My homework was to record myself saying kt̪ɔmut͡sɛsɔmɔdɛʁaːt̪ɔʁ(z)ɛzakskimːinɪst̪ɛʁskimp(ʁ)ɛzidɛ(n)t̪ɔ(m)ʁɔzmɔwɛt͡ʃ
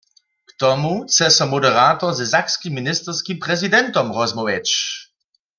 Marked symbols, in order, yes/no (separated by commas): yes, yes, yes, yes